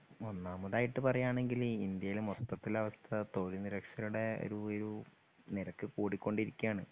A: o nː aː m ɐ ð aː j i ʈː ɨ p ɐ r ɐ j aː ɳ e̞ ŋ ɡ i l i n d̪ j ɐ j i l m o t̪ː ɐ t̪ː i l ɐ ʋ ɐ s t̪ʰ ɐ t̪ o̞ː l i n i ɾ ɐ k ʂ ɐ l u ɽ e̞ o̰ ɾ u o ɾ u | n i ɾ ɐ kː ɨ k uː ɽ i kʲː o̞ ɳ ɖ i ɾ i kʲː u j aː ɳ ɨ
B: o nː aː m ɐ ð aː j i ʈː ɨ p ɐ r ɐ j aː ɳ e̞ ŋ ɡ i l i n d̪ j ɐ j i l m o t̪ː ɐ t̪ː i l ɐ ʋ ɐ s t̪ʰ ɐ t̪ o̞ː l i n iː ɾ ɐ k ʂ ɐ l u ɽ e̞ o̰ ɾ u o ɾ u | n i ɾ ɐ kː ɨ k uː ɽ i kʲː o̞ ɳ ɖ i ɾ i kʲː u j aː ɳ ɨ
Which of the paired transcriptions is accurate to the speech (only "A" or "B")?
A